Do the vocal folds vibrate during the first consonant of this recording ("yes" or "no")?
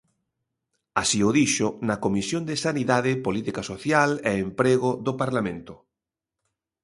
no